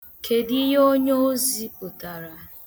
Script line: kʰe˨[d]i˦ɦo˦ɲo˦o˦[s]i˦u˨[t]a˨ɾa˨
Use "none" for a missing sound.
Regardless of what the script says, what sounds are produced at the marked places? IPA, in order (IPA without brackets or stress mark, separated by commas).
d, z, t